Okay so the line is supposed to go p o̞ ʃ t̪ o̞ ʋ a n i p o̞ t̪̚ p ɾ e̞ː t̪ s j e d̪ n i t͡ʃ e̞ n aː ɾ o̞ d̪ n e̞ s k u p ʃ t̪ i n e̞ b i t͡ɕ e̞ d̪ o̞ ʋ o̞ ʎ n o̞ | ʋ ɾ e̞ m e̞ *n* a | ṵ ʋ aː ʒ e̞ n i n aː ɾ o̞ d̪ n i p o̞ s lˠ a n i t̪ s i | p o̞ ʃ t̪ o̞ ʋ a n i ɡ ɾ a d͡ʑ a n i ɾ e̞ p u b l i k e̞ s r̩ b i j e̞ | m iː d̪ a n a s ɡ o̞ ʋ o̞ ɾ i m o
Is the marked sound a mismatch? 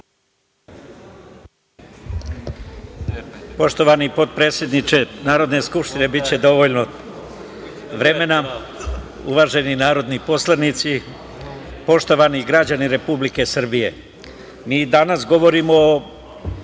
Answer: no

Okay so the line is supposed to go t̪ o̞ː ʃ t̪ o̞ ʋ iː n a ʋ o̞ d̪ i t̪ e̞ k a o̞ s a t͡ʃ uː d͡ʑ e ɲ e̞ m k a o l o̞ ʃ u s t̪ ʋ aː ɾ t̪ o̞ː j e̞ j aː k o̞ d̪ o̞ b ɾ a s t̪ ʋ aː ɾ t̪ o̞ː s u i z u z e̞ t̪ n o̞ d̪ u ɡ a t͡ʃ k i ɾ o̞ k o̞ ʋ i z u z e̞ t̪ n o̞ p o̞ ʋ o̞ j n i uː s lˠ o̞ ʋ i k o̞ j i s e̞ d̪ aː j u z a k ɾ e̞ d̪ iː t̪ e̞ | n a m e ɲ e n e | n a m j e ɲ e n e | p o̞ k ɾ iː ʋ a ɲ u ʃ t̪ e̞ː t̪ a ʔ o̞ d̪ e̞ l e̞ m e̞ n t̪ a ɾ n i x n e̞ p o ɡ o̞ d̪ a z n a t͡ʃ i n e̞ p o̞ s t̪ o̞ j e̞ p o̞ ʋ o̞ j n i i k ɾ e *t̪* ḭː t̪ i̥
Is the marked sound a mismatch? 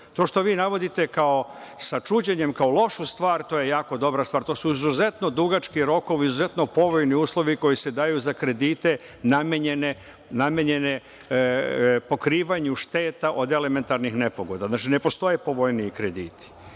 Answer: yes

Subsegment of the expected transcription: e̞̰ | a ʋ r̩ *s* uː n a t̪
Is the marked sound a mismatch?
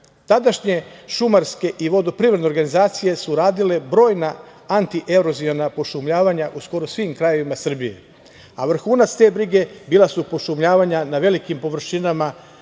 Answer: yes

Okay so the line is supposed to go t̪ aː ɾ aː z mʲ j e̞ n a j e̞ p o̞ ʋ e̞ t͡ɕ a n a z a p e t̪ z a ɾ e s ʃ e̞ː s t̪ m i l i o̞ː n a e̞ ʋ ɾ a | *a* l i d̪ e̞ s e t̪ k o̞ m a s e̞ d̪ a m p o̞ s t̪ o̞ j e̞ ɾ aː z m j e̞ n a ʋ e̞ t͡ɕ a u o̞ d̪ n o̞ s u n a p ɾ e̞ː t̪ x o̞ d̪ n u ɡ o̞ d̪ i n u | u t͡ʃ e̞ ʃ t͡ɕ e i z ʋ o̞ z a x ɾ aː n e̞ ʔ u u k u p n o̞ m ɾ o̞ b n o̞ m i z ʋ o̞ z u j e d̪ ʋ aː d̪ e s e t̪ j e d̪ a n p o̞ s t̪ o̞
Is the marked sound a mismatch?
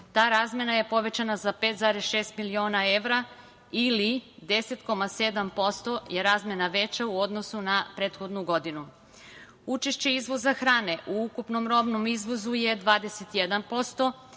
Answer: yes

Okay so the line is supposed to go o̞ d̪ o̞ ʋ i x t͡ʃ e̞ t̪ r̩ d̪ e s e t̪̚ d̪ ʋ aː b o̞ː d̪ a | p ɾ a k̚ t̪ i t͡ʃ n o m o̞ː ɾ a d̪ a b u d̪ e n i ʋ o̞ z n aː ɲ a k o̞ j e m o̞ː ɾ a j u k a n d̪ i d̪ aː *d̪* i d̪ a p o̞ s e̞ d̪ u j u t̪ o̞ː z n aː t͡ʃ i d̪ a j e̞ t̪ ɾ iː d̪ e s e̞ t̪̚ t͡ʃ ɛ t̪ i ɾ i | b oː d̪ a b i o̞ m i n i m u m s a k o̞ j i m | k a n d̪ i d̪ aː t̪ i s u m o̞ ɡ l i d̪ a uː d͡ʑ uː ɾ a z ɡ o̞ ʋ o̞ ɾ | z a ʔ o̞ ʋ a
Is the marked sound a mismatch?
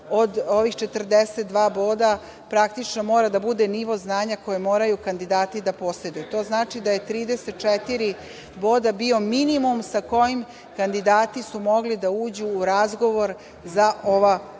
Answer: yes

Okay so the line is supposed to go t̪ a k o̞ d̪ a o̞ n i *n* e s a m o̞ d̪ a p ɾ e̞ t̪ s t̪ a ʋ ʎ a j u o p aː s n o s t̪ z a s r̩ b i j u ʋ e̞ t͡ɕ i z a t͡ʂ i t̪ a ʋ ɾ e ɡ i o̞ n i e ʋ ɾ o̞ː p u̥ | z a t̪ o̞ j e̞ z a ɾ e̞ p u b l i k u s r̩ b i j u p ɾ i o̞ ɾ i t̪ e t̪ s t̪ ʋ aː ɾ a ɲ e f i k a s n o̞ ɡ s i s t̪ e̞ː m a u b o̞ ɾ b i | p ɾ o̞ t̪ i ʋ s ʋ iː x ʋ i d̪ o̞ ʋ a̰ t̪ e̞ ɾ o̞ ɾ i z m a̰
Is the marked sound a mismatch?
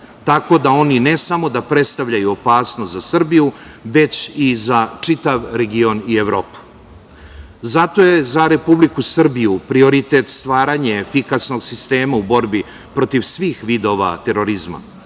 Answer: no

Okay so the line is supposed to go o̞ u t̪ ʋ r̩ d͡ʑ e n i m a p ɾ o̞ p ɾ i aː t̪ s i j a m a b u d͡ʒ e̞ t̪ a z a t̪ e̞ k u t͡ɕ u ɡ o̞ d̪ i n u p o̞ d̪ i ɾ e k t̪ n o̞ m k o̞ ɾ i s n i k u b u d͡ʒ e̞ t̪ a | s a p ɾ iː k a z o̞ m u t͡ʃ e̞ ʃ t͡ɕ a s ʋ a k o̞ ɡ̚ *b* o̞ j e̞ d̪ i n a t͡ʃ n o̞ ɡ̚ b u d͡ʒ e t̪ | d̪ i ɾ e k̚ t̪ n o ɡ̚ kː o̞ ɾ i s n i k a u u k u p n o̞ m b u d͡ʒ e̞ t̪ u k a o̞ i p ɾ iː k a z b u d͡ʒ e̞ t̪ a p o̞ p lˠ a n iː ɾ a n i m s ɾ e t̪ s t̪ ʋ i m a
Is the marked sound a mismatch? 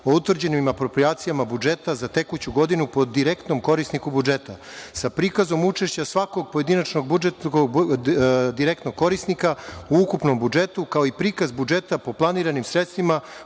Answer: yes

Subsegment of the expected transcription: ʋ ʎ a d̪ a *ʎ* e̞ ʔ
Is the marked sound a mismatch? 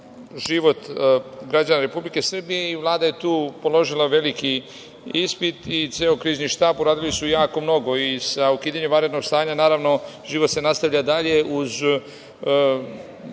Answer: no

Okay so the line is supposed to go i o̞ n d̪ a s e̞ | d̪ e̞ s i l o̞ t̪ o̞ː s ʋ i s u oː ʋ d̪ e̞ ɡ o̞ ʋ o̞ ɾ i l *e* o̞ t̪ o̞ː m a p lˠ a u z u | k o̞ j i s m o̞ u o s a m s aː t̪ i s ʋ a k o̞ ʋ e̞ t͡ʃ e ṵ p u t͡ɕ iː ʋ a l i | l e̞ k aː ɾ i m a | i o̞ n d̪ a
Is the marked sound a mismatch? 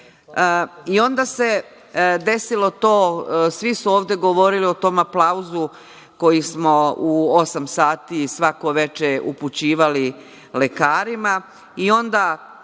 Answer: yes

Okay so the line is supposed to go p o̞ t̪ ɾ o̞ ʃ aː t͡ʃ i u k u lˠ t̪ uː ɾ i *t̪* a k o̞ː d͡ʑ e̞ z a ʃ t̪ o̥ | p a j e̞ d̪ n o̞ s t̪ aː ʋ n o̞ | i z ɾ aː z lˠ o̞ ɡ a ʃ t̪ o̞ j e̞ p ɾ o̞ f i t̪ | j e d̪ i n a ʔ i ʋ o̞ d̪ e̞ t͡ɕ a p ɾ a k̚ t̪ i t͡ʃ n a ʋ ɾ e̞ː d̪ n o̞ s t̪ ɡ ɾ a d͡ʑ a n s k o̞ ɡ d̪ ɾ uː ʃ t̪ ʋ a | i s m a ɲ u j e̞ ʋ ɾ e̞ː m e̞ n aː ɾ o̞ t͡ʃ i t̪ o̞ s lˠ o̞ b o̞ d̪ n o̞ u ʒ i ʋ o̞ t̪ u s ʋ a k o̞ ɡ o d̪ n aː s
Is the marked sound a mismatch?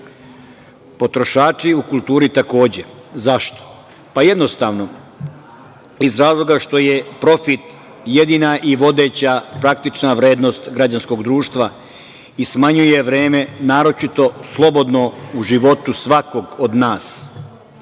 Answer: no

